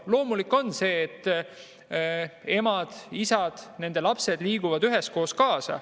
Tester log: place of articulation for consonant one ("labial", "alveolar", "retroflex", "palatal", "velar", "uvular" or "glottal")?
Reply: alveolar